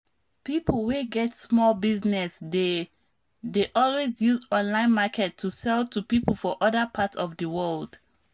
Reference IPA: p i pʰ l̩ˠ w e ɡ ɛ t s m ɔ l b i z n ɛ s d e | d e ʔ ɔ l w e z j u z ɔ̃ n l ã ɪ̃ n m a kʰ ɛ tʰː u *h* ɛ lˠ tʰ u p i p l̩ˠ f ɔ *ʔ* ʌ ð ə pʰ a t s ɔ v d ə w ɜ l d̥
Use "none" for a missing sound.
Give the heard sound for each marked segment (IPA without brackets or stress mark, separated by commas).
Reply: s, ʔ